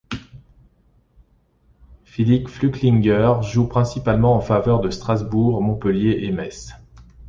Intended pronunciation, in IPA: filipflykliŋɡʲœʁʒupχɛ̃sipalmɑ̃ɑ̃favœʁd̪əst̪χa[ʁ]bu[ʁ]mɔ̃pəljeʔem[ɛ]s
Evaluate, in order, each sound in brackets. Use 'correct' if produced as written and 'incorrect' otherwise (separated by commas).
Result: incorrect, correct, correct